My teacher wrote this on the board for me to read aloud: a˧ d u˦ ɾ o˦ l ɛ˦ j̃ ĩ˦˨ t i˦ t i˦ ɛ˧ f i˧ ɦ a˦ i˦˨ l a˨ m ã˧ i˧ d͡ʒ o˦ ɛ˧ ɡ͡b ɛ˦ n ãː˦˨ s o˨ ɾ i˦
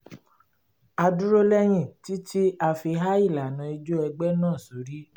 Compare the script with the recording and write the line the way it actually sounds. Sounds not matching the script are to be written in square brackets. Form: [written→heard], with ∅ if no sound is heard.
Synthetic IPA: a˧ d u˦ ɾ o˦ l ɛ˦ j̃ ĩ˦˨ t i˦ t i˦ [ɛ˧→a˧] f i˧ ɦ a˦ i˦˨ l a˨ [m→n] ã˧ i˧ d͡ʒ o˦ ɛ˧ ɡ͡b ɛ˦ n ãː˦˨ s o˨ ɾ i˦